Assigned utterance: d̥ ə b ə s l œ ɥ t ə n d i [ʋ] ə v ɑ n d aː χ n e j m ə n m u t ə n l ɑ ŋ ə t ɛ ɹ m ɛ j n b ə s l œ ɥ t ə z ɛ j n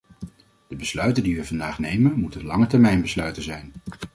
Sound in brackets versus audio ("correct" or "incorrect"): correct